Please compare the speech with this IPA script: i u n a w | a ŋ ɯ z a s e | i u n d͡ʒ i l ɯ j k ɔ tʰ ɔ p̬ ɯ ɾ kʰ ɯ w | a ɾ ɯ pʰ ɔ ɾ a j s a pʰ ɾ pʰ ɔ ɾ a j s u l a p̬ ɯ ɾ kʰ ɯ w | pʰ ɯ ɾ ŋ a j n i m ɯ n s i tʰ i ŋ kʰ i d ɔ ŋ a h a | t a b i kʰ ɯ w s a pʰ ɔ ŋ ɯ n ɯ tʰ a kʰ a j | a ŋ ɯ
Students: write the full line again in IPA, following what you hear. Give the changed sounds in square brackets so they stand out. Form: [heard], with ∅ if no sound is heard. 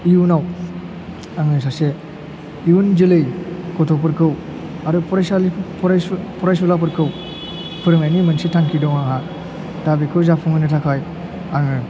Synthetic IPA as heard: i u n a w | a ŋ ɯ [s] a s e | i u n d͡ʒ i l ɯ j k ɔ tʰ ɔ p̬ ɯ ɾ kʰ ɯ w | a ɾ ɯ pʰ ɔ ɾ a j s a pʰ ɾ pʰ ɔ ɾ a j s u l a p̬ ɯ ɾ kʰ ɯ w | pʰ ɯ ɾ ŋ a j n i m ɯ n s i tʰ [a] ŋ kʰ i d ɔ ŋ a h a | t a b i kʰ ɯ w [z] a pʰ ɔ ŋ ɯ n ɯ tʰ a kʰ a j | a ŋ ɯ